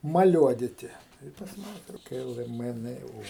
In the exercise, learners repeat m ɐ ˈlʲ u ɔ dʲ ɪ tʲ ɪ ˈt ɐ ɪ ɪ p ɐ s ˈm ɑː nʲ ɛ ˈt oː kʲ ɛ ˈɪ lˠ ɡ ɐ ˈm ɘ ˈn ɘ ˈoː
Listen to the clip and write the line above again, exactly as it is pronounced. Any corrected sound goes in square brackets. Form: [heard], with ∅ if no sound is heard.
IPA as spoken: m ɐ ˈlʲ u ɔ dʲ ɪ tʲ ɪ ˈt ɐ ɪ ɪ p ɐ s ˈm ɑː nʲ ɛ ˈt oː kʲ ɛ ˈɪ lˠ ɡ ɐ ˈm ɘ ˈn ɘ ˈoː